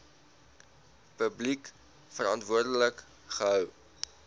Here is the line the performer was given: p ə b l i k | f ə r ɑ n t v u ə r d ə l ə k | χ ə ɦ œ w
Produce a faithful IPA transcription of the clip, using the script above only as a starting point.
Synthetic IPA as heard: p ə b l i k | f ə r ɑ n t v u ə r d ə l ə k | χ ə ɦ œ w